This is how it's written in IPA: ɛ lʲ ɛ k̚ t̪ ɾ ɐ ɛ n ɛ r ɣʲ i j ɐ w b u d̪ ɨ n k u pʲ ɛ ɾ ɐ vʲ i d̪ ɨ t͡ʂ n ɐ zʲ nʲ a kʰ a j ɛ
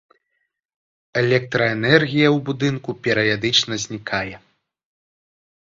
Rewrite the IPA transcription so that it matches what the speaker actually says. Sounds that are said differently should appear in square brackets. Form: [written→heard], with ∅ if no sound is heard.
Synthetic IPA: ɛ lʲ ɛ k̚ t̪ ɾ ɐ ɛ n ɛ r ɣʲ i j ɐ w b u d̪ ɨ n k u pʲ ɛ ɾ ɐ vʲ [i→a] d̪ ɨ t͡ʂ n ɐ zʲ nʲ [a→i] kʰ a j ɛ